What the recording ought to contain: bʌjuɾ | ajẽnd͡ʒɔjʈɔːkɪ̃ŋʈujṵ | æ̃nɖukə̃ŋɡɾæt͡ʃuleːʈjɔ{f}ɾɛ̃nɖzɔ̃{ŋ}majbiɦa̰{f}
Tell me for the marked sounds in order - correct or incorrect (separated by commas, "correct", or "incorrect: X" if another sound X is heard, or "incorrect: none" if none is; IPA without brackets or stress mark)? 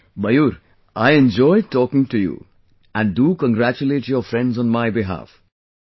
correct, incorrect: n, correct